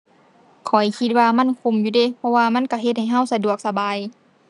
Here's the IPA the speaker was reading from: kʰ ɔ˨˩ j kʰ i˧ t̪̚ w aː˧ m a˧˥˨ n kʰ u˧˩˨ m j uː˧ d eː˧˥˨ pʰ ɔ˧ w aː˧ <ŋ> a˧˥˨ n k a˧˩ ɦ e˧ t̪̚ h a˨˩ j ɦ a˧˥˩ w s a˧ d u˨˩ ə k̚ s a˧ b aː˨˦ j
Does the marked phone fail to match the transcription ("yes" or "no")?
yes